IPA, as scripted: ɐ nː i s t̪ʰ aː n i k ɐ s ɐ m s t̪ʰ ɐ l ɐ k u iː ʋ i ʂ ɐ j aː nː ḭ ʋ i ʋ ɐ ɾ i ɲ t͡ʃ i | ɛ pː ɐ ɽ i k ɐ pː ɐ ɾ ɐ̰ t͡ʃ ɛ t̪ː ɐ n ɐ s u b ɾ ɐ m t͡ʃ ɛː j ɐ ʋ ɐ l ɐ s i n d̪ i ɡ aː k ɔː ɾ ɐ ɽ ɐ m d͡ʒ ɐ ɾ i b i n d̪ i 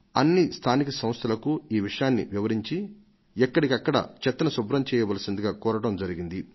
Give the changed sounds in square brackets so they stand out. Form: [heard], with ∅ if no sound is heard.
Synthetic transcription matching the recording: ɐ nː i s t̪ʰ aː n i k ɐ s ɐ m s t̪ʰ ɐ l ɐ k u iː ʋ i ʂ ɐ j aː nː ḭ ʋ i ʋ ɐ ɾ i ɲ t͡ʃ i | ɛ [kː] ɐ ɽ i k ɐ [kː] ɐ [ɽ] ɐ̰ t͡ʃ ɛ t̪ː ɐ n ɐ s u b ɾ ɐ m t͡ʃ ɛː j ɐ ʋ ɐ l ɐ s i n d̪ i ɡ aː k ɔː ɾ ɐ ɽ ɐ m d͡ʒ ɐ ɾ i [ɡ] i n d̪ i